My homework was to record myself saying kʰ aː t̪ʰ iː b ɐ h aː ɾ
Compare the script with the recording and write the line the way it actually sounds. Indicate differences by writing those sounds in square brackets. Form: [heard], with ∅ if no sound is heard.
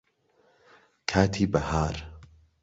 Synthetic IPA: kʰ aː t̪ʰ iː b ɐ h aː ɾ